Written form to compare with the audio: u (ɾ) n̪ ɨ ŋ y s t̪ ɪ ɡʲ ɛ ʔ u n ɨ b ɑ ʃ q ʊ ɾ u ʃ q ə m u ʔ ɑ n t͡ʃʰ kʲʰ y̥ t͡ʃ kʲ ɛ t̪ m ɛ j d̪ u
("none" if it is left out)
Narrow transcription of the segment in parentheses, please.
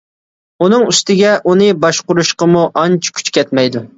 none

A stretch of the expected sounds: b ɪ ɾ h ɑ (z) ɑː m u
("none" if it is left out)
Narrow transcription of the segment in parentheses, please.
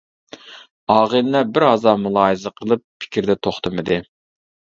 z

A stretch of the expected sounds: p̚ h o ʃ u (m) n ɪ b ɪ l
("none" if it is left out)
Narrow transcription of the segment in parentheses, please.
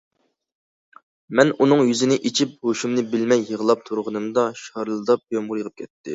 m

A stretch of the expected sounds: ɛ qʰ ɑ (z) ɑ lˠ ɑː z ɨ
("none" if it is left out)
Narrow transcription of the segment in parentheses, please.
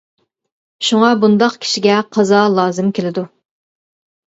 z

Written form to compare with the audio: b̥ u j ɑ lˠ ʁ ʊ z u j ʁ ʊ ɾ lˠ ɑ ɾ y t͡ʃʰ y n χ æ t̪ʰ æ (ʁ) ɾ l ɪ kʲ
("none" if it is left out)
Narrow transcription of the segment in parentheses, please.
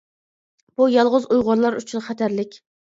none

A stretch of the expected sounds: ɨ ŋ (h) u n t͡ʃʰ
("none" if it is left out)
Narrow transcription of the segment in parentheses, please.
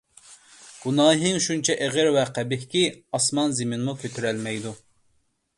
ʃ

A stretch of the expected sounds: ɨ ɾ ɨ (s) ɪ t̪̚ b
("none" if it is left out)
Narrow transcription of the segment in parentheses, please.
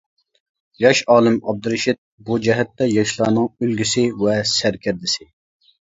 ʃ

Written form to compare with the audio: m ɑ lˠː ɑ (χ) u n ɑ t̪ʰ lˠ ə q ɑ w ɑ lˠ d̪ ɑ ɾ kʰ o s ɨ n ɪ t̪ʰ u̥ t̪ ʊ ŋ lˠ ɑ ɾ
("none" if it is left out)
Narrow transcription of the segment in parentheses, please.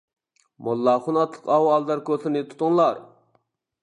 χ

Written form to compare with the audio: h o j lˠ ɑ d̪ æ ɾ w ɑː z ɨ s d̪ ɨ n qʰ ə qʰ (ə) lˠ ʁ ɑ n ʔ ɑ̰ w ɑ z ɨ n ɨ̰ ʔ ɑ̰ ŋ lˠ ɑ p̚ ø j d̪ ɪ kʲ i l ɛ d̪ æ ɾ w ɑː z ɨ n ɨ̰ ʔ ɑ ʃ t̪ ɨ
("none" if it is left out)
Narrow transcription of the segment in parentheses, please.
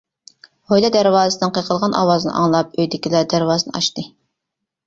ə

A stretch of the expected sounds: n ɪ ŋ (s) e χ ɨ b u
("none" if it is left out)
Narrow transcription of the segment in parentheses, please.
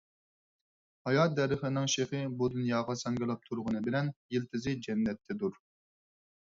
ʃ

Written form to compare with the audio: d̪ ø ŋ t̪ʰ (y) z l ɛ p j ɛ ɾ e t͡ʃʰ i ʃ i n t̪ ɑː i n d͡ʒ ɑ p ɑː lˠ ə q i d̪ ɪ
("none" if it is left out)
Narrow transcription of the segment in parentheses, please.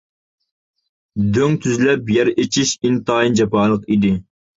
y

